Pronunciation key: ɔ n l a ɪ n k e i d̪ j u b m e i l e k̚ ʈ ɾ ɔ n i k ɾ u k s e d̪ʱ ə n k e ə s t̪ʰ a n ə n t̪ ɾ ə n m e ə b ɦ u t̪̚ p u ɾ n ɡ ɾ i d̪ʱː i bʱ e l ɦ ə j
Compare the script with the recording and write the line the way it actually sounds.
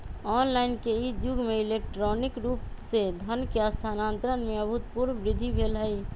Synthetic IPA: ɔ n l a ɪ n k e i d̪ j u ɡ m e i l e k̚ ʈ ɾ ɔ n i k ɾ u p s e d̪ʱ ə n k e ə s t̪ʰ a n a n t̪ ɾ ə n m e ə b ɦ u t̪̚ p u ɾ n b ɾ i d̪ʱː i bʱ e l ɦ ə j